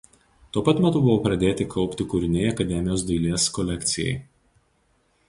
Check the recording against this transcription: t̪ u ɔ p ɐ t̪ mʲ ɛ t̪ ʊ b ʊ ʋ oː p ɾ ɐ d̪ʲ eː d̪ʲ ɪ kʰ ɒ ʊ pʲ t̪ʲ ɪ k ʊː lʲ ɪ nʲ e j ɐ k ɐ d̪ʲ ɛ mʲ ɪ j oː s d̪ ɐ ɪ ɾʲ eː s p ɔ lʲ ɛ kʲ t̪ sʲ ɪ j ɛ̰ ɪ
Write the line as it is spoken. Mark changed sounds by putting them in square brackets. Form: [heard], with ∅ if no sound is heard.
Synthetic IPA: t̪ u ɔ p ɐ t̪ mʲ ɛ t̪ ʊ b ʊ ʋ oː p ɾ ɐ d̪ʲ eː [t̪ʲ] ɪ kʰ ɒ ʊ pʲ t̪ʲ ɪ k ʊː [ɾʲ] ɪ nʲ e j ɐ k ɐ d̪ʲ ɛ mʲ ɪ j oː s d̪ ɐ ɪ [lʲ] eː s [k] ɔ lʲ ɛ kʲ t̪ sʲ ɪ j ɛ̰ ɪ